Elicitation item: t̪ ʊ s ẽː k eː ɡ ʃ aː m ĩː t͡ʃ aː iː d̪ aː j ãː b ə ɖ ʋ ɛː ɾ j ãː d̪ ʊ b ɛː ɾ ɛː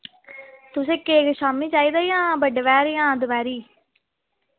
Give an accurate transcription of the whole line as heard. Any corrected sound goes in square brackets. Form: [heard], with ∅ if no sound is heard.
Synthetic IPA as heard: t̪ ʊ s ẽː k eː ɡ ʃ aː m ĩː t͡ʃ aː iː d̪ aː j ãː b ə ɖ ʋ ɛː ɾ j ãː d̪ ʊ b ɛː ɾ [iː]